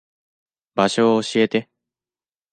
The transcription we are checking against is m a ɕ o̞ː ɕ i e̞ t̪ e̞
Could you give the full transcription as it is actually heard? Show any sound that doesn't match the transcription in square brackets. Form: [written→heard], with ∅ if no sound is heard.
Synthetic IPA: [m→b] a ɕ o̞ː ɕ i e̞ t̪ e̞